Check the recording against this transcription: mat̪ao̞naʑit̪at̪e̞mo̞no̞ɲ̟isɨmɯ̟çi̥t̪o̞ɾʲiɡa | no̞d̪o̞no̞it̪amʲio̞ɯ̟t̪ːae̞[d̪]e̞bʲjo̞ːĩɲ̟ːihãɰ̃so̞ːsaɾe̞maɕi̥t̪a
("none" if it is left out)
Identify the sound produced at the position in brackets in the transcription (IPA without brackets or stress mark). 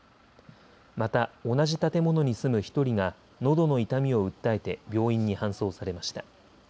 t̪